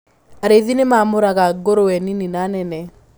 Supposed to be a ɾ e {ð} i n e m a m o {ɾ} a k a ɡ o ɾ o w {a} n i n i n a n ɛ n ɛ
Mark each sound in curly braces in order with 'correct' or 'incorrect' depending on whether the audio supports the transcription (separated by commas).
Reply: correct, correct, incorrect